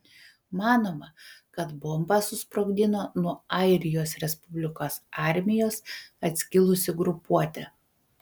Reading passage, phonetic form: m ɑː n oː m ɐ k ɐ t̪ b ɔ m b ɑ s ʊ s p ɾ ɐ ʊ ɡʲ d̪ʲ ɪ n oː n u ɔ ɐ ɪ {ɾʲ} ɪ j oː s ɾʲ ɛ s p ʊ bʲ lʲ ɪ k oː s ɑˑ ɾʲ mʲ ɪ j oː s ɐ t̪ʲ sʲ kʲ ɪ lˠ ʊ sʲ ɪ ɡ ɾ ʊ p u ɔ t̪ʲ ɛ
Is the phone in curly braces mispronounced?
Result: no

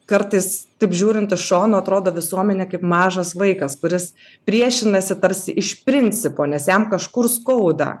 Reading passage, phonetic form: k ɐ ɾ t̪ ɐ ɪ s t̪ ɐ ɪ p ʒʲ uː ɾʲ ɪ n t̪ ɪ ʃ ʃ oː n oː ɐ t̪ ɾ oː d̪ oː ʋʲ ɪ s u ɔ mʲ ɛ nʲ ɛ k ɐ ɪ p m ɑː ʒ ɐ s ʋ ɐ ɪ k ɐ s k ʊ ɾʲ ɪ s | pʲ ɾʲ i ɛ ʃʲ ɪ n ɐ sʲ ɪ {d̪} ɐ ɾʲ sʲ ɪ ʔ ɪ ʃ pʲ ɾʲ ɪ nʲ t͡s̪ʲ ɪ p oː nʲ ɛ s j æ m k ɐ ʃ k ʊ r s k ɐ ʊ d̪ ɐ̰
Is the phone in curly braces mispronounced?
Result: yes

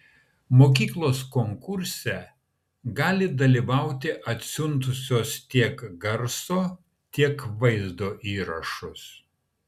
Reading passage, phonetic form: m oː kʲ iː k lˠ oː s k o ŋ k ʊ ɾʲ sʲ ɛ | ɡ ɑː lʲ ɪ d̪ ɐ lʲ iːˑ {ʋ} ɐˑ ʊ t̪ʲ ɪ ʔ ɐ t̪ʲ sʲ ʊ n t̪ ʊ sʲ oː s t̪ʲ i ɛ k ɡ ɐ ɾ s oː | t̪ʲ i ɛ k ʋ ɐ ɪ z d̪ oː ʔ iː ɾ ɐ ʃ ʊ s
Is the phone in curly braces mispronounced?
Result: no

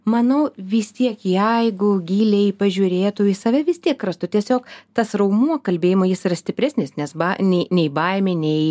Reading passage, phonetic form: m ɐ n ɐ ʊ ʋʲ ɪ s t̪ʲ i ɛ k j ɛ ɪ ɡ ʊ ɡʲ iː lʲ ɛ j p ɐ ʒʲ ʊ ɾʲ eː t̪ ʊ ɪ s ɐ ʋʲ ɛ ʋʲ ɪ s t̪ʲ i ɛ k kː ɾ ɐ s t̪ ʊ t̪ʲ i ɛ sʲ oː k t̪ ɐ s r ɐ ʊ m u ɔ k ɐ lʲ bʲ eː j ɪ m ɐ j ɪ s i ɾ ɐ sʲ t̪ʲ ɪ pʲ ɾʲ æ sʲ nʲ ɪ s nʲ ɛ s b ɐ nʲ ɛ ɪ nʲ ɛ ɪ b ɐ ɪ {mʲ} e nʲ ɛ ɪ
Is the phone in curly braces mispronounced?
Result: no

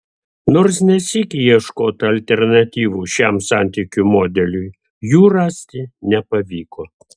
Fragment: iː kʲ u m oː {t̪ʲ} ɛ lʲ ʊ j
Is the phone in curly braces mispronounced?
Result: yes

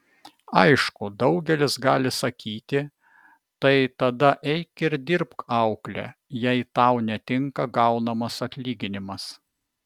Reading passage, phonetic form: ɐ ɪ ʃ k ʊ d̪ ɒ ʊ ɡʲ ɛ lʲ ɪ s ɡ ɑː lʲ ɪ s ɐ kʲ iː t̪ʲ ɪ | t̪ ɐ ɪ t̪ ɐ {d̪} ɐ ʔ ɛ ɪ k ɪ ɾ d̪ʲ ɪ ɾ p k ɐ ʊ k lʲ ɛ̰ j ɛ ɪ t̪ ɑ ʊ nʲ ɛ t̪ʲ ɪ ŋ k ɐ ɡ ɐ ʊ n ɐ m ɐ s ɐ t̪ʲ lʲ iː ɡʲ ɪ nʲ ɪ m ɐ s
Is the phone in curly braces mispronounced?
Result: no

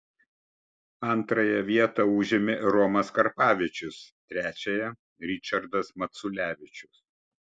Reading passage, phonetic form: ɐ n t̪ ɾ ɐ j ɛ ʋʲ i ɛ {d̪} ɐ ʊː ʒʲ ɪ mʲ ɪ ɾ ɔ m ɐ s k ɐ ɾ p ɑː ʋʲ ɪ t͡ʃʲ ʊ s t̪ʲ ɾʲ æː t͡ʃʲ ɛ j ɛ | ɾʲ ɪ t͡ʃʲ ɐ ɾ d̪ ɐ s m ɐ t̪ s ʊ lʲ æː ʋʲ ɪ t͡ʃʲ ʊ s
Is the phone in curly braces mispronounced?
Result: yes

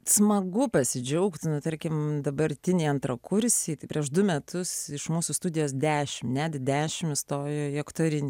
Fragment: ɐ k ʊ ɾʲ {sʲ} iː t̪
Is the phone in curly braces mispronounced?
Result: no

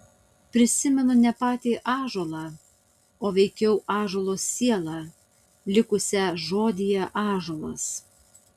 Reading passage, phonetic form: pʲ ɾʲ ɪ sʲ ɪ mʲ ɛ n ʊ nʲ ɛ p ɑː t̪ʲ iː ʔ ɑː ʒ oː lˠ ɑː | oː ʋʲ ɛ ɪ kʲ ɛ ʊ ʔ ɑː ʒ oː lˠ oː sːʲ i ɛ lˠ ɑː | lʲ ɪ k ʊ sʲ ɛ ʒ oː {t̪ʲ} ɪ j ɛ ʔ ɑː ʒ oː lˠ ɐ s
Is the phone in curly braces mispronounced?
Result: yes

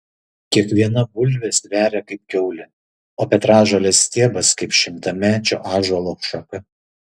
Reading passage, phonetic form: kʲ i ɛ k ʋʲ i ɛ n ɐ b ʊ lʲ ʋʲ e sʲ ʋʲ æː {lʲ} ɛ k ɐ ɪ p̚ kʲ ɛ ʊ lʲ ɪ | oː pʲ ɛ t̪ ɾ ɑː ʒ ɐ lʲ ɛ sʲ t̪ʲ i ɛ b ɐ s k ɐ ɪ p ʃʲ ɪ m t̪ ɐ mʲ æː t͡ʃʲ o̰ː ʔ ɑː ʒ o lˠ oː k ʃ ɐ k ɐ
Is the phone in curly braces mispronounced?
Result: yes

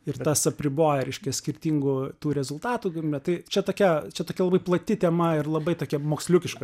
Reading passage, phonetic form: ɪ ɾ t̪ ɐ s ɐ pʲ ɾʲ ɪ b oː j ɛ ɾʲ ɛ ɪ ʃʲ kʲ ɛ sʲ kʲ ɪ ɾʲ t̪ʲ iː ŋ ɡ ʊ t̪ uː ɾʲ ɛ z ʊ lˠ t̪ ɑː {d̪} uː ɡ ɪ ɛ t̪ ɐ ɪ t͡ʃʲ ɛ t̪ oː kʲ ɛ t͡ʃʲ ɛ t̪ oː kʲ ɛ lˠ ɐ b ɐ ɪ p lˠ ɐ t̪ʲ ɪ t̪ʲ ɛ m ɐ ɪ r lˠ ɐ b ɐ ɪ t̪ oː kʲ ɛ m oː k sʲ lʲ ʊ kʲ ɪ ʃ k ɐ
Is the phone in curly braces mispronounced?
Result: yes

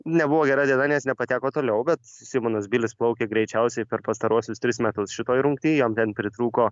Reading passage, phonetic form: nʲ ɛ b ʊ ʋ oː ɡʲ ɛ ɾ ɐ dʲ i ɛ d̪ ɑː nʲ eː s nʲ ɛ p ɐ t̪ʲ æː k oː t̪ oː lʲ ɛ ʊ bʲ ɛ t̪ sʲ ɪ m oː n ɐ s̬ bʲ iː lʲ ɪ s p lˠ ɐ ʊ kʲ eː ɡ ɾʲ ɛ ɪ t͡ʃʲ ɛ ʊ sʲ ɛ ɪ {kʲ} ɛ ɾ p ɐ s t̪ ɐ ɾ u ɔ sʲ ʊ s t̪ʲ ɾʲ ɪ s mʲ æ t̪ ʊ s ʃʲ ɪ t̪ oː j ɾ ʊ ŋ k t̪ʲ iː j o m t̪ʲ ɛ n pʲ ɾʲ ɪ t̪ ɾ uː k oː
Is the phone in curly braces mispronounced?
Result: yes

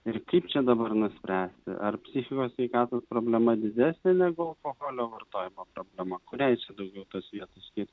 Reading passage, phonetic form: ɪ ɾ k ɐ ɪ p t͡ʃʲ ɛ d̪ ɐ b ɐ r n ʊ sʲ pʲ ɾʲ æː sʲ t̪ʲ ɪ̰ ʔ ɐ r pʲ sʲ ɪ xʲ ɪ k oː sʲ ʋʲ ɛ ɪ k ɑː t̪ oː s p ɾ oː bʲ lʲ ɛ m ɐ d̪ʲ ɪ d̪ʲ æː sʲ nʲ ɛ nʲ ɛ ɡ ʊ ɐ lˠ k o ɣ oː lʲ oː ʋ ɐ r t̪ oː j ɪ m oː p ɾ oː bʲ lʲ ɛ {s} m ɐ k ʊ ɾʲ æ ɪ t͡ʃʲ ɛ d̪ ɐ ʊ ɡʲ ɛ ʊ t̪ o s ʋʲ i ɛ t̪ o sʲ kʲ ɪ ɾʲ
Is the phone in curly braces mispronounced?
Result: yes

